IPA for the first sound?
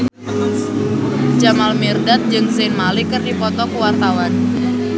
d͡ʒ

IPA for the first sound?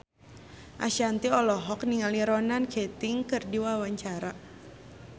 ʔ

